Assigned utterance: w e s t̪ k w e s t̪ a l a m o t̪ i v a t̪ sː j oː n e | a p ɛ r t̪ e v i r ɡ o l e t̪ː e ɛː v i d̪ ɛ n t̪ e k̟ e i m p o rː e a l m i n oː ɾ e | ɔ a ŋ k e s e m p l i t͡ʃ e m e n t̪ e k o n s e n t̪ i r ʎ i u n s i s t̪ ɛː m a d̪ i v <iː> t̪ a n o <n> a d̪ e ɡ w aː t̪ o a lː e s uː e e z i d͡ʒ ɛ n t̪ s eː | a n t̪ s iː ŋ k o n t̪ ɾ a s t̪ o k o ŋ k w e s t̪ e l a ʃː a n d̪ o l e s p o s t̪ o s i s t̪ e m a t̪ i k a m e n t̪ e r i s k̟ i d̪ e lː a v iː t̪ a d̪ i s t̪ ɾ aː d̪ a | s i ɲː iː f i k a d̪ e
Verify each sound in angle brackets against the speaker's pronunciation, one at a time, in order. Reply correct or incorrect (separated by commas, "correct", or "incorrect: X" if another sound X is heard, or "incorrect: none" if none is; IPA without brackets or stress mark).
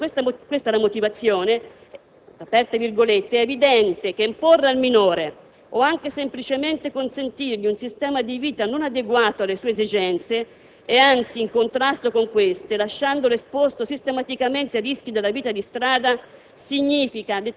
correct, correct